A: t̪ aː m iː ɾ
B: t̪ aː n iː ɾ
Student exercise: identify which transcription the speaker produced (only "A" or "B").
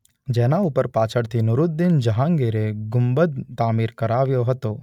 A